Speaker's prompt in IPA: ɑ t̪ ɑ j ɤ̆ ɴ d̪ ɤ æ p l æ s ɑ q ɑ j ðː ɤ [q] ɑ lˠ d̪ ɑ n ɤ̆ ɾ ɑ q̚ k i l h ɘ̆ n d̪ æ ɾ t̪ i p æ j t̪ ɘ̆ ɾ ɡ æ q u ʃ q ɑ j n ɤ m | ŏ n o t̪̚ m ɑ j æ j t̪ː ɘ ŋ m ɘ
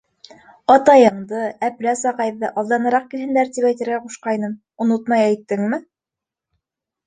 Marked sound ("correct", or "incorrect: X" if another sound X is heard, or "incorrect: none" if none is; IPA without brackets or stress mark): incorrect: ʔ